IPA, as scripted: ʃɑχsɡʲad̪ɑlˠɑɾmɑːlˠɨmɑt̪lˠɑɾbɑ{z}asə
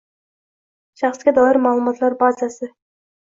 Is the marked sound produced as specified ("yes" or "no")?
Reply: yes